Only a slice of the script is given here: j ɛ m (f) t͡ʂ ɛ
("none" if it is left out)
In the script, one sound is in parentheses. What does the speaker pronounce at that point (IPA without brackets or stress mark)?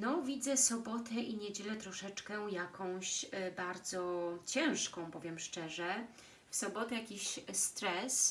ʂ